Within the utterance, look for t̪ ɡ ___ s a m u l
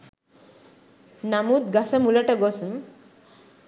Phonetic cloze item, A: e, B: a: B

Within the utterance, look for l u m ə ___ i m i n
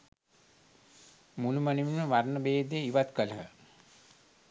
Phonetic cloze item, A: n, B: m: A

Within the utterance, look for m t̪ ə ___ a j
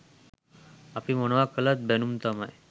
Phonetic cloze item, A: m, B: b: A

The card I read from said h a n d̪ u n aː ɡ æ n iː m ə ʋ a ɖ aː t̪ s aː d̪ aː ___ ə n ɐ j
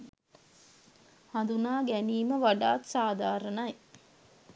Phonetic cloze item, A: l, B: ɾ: B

